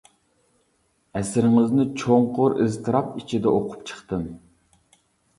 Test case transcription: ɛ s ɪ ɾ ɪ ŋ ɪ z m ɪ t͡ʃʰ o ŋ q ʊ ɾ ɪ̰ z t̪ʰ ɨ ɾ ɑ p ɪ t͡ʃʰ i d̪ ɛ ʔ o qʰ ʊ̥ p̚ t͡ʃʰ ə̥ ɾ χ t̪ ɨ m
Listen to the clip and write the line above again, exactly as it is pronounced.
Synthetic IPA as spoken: ɛ s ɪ ɾ ɪ ŋ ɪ z n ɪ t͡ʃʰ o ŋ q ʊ ɾ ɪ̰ z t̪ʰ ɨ ɾ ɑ p i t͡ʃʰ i d̪ ɛ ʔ o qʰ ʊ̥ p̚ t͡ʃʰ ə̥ χ t̪ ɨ m